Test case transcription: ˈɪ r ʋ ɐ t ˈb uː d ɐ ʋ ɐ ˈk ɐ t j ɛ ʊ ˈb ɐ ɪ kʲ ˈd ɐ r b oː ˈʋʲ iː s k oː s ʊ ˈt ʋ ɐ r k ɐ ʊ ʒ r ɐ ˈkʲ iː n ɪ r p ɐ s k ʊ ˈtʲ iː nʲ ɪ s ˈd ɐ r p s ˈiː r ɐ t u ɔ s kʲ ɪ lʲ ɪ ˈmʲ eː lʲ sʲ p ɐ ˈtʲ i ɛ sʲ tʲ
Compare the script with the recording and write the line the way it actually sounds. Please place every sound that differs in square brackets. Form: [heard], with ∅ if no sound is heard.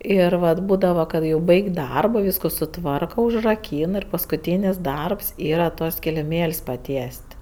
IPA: ˈɪ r ʋ ɐ t ˈb uː d ɐ ʋ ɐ ˈk ɐ t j ɛ ʊ ˈb ɐ ɪ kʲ ˈd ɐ r b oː ˈʋʲ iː s k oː s ʊ ˈt ʋ ɐ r k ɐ ʊ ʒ r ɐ ˈkʲ iː n ɪ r p ɐ s k ʊ ˈtʲ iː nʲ ɪ s ˈd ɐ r p s ˈiː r ɐ t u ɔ s kʲ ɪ lʲ ɪ ˈmʲ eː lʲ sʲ p ɐ ˈtʲ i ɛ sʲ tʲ